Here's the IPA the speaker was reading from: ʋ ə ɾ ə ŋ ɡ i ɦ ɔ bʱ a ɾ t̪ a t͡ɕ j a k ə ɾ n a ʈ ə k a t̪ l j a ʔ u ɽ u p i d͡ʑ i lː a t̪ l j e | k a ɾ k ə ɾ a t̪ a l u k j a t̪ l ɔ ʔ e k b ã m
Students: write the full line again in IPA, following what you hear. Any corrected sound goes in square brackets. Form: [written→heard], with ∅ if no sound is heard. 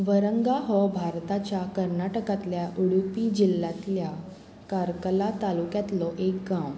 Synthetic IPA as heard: ʋ ə ɾ ə ŋ ɡ [i→a] ɦ ɔ bʱ a ɾ t̪ a t͡ɕ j a k ə ɾ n a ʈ ə k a t̪ l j a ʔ u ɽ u p i d͡ʑ i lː a t̪ l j [e→a] | k a ɾ k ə [ɾ→l] a t̪ a l u k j a t̪ l ɔ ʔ e k [b→ɡ] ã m